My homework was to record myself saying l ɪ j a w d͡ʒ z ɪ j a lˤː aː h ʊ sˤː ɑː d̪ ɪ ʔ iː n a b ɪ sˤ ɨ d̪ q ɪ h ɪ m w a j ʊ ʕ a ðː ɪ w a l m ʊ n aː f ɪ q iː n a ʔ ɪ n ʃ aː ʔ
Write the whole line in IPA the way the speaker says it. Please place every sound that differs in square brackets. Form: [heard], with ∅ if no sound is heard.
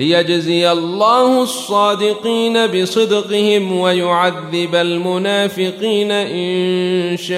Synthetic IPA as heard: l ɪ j a [∅] d͡ʒ z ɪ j a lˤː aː h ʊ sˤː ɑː d̪ ɪ [q] iː n a b ɪ sˤ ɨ d̪ q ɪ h ɪ m w a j ʊ ʕ a ðː ɪ [b] a l m ʊ n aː f ɪ q iː n a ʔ ɪ n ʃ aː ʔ